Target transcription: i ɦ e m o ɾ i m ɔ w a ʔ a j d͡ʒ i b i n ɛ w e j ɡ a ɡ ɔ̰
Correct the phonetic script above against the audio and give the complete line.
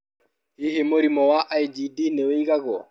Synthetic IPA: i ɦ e m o ɾ i m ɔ w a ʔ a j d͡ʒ i d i n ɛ w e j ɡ a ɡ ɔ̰